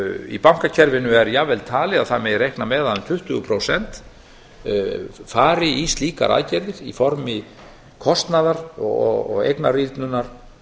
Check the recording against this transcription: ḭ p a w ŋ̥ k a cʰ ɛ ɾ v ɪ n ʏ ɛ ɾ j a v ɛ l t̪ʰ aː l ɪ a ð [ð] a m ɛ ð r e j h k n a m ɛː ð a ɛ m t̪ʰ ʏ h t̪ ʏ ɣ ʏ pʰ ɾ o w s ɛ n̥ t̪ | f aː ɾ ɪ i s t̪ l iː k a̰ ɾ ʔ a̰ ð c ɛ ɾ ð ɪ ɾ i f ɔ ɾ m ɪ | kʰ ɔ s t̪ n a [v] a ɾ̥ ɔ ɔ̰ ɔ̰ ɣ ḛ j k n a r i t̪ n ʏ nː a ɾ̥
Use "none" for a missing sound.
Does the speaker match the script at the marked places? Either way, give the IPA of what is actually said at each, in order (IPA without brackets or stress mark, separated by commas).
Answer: θ, ð